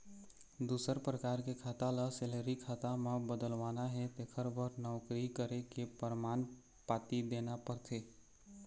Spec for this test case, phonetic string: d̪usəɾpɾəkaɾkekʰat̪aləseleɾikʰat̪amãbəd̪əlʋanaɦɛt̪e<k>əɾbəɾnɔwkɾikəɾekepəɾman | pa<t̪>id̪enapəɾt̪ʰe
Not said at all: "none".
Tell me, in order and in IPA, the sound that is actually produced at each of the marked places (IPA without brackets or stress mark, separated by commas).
kʰ, t̪